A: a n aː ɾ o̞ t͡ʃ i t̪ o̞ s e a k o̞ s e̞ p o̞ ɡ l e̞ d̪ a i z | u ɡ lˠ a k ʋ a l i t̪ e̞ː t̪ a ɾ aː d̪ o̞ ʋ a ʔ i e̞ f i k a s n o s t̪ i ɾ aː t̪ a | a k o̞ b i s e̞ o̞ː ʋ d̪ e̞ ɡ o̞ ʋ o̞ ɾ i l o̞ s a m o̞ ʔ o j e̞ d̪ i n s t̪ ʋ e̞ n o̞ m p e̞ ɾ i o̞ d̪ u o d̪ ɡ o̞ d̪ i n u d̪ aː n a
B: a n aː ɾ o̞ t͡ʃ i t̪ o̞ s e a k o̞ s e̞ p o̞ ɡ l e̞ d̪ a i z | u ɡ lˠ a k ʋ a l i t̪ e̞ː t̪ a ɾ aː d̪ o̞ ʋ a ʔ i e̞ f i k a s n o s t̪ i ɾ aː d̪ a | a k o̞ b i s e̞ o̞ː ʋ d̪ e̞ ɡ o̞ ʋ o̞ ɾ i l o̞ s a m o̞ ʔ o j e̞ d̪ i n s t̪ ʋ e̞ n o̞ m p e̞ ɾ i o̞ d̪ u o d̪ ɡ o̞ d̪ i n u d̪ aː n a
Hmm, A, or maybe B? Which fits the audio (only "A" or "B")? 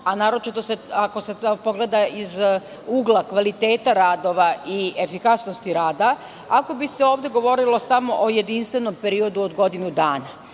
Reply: B